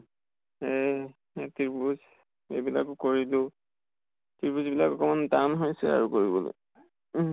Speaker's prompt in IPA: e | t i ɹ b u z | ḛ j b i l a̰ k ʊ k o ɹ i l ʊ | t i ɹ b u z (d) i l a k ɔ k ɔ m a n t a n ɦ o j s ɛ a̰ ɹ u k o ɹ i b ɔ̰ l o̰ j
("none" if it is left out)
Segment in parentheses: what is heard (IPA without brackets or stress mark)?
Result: b